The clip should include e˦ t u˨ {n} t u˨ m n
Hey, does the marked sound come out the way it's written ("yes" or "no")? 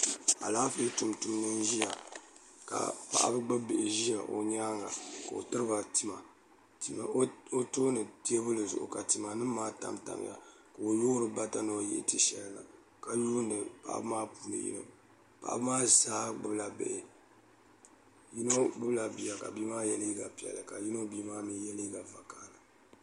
no